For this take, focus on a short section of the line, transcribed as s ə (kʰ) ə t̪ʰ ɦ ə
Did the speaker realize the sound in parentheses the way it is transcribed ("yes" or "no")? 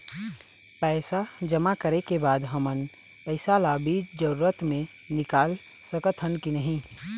no